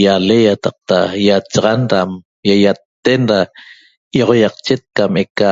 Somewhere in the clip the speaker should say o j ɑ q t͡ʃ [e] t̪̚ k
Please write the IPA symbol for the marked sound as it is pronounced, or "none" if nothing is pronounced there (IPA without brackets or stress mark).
e